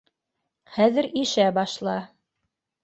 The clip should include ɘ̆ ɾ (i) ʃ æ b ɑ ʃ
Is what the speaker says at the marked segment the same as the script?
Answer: yes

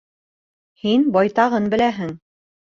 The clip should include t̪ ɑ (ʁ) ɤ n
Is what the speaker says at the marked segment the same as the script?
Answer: yes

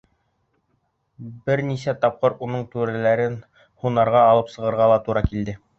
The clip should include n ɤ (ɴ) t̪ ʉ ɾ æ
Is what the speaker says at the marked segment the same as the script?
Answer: yes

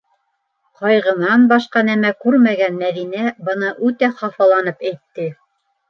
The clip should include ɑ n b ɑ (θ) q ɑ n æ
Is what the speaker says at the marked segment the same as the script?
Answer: no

